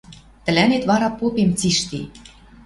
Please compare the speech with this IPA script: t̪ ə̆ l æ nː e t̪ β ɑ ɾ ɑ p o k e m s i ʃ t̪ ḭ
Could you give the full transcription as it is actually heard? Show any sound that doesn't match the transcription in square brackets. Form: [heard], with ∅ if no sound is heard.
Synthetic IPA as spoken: t̪ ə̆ l æ [n] e t̪ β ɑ ɾ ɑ p o [p] e m [t͡s] i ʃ t̪ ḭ